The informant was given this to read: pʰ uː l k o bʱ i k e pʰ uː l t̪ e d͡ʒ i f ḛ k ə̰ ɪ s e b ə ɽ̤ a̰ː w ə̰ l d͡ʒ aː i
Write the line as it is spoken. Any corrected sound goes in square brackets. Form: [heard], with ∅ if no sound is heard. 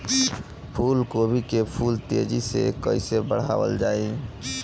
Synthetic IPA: pʰ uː l k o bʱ i k e pʰ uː l t̪ e d͡ʒ i [s] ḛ k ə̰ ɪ s e b ə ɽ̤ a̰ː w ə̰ l d͡ʒ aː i